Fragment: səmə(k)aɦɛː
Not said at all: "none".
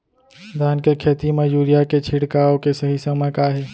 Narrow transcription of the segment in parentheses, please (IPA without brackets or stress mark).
k